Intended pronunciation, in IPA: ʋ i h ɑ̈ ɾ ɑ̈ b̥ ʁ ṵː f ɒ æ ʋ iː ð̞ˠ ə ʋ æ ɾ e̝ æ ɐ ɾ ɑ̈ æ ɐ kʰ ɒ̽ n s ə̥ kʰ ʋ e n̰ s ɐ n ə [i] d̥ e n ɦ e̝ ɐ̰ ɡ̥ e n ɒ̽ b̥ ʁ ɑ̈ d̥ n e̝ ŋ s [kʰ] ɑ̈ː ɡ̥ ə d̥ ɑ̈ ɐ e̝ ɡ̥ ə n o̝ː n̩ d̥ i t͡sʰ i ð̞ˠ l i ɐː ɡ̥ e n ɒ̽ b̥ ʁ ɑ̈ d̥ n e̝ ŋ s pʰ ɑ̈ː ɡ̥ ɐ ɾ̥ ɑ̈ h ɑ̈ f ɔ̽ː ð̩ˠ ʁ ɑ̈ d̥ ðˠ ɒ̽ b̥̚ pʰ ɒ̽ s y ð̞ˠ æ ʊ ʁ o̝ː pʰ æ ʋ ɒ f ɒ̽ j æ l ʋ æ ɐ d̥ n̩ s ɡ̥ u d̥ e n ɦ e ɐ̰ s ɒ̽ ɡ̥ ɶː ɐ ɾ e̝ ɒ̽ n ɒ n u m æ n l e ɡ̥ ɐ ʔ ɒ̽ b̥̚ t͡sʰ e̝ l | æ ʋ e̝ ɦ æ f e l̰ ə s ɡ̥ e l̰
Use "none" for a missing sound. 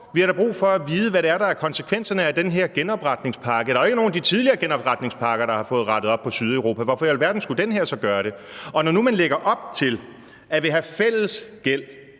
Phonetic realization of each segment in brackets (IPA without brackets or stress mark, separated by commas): æ, pʰ